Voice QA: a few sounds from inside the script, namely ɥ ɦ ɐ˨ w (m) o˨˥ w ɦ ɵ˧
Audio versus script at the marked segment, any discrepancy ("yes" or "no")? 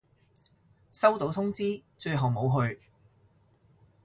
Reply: no